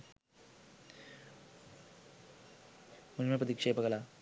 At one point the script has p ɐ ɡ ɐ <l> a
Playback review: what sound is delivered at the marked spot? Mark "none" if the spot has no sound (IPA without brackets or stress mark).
l